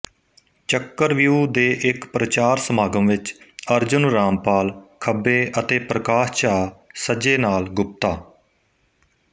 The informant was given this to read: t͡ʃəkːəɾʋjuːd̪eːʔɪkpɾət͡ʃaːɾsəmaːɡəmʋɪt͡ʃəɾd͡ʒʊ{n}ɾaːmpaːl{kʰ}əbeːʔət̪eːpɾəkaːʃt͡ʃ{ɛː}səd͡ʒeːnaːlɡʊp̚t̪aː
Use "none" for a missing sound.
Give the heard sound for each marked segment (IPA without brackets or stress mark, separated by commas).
n, kʰ, aː